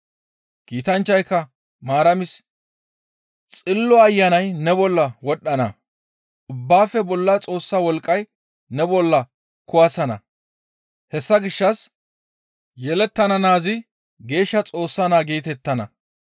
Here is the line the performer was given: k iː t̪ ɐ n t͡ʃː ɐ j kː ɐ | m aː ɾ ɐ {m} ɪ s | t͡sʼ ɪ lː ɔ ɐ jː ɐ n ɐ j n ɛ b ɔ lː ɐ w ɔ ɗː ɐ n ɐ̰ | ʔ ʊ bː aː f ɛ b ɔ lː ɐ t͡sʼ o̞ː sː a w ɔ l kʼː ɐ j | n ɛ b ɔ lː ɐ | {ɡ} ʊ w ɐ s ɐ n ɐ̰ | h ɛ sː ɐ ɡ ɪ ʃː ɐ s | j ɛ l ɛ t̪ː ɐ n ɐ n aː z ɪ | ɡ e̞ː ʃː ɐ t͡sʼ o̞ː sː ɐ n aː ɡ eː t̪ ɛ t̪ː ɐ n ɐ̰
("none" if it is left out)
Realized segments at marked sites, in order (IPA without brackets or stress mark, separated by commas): m, k